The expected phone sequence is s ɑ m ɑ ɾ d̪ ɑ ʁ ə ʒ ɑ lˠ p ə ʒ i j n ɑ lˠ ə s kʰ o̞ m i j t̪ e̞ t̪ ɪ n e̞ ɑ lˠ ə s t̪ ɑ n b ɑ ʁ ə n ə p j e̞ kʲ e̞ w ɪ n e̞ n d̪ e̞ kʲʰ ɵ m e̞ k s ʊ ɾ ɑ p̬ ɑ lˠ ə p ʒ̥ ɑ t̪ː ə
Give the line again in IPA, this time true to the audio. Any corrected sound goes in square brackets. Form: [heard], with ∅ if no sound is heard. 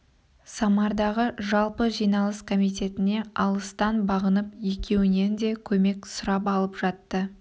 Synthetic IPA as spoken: s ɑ m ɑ ɾ d̪ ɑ ʁ ə ʒ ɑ lˠ p ə ʒ i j n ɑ lˠ ə s kʰ o̞ m i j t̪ e̞ t̪ ɪ n e̞ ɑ lˠ ə s t̪ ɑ n b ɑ ʁ ə n ə p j e̞ kʲ e̞ w ɪ n e̞ n d̪ e̞ kʲʰ ɵ m e̞ k s ʊ ɾ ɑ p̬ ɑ lˠ ə p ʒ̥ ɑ t̪ː ə